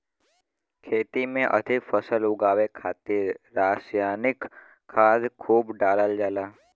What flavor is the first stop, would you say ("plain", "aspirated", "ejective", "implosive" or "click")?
aspirated